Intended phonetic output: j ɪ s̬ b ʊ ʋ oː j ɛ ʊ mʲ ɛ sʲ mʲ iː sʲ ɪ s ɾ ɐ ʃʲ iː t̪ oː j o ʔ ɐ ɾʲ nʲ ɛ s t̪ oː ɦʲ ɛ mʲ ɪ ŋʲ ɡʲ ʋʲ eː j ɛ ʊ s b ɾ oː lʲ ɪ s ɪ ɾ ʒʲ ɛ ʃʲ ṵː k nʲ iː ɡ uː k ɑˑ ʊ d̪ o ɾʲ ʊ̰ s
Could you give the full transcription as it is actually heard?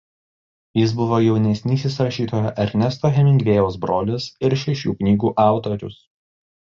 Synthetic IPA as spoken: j ɪ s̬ b ʊ ʋ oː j ɛ ʊ nʲ ɛ sʲ nʲ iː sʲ ɪ s ɾ ɐ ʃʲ iː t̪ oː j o ʔ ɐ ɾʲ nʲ ɛ s t̪ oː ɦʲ ɛ mʲ ɪ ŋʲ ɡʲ ʋʲ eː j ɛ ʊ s b ɾ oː lʲ ɪ s ɪ ɾ ʃʲ ɛ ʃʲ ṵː k nʲ iː ɡ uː ʔ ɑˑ ʊ t̪ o ɾʲ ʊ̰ s